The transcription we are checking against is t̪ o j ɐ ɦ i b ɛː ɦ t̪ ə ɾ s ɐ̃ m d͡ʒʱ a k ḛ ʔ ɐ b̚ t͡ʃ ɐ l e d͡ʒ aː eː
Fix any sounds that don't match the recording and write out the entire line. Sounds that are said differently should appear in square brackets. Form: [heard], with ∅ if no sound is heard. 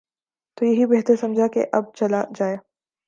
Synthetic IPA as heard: t̪ o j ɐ ɦ i b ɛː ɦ t̪ ə ɾ s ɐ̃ m d͡ʒʱ a k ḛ ʔ ɐ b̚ t͡ʃ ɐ l [a] d͡ʒ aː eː